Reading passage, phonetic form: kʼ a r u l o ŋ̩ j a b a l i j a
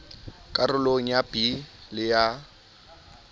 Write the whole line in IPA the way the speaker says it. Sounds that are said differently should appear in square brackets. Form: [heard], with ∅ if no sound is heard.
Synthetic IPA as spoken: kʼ a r [ʊ] l o ŋ̩ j a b [i] l [ɪ] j a